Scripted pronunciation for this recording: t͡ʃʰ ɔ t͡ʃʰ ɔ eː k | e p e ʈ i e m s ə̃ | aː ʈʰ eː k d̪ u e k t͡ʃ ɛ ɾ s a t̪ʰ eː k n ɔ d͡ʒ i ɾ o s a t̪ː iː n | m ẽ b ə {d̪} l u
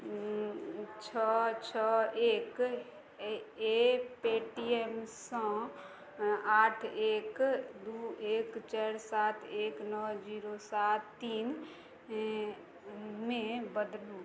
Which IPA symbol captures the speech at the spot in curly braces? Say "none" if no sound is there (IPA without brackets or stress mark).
d̪